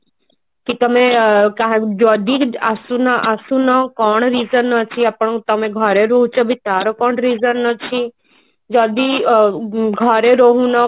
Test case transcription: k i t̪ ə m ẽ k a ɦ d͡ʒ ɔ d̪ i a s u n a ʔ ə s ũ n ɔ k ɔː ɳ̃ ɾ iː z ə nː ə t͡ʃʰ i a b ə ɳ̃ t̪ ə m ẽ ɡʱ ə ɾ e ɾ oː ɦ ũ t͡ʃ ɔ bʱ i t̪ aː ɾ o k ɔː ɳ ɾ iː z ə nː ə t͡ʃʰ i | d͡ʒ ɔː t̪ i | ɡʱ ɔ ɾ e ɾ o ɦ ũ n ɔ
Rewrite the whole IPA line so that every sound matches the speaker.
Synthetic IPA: k i t̪ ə m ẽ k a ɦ d͡ʒ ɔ d̪ i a s u n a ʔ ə s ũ n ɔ k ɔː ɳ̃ ɾ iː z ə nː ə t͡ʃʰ i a p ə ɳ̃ t̪ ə m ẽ ɡʱ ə ɾ e ɾ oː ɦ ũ t͡ʃ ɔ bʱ i t̪ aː ɾ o k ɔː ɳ ɾ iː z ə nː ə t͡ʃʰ i | d͡ʒ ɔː d̪ i | ɡʱ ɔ ɾ e ɾ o ɦ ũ n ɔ